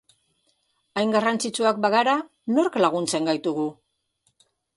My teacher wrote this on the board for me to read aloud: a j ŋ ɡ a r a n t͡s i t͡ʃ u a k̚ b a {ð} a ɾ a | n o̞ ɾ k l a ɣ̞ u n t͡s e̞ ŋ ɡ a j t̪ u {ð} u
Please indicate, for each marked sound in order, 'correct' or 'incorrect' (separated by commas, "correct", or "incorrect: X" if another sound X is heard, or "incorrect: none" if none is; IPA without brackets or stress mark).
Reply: incorrect: ɣ, incorrect: ɣ